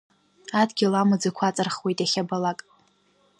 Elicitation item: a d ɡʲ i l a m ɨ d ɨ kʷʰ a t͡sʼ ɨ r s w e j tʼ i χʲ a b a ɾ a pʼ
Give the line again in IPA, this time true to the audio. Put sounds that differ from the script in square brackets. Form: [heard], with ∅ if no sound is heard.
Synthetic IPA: a d ɡʲ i l a m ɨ [d͡z] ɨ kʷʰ a t͡sʼ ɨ r [χ] w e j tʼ [a] χʲ a b a [l] a [kʼ]

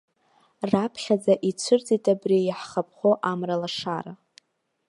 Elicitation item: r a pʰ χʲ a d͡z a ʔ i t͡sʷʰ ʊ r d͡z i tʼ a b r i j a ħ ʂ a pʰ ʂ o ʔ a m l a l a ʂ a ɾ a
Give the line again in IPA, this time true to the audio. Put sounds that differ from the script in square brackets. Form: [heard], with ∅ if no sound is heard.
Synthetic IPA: r a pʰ χʲ a d͡z a ʔ i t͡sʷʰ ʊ r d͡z i tʼ a b r i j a ħ [χ] a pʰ [χ] o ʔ a m [r] a l a ʂ a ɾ a

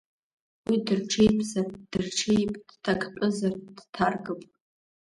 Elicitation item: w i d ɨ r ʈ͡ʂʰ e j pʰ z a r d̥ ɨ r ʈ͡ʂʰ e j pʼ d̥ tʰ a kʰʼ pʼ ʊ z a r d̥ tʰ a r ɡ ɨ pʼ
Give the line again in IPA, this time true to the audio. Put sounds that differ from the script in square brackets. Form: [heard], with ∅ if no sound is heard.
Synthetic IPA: w i d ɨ r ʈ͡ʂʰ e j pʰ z a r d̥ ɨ r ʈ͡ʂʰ e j pʼ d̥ tʰ a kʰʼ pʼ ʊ z a r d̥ tʰ a r ɡ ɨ pʼ

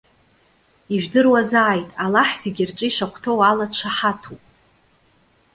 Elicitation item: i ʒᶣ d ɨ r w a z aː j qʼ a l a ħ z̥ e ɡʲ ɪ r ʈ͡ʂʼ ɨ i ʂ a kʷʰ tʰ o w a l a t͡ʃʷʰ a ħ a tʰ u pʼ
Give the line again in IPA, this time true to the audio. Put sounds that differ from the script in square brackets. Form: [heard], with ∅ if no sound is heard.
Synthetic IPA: i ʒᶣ d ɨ r w a z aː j [tʼ] a l a ħ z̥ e ɡʲ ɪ r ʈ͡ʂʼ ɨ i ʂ a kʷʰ tʰ o w a l a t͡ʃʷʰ a ħ a tʰ u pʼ

